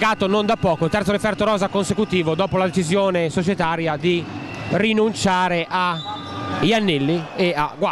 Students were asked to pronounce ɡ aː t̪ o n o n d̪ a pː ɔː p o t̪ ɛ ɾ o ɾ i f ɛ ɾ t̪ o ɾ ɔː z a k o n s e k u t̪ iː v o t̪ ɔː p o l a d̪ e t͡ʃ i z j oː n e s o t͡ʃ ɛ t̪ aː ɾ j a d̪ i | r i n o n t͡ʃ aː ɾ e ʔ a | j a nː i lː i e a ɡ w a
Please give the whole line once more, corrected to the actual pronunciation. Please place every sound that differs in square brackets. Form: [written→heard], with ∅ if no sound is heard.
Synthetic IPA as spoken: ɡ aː t̪ o n o n d̪ a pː ɔː [p→k] o t̪ ɛ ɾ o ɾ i f ɛ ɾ t̪ o ɾ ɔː z a k o n s e k u t̪ iː v o [t̪→d̪] ɔː p o l a d̪ e t͡ʃ i z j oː n e s o t͡ʃ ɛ t̪ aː ɾ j a d̪ i | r i n [o→u] n t͡ʃ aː ɾ e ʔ a | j a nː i lː i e a ɡ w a